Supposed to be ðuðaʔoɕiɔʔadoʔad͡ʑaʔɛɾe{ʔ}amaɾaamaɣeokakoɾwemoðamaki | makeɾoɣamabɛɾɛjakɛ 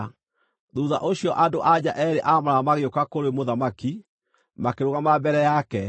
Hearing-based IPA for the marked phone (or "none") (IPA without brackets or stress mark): ʔ